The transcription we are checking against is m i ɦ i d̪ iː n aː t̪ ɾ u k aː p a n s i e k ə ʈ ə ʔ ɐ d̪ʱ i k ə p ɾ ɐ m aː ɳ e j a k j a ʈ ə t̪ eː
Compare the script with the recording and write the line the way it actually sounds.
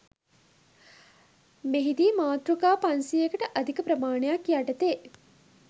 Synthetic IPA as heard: m e ɦ i d̪ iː m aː t̪ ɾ u k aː p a n s i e k ə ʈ ə ʔ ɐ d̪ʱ i k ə p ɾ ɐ m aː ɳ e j a k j a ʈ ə t̪ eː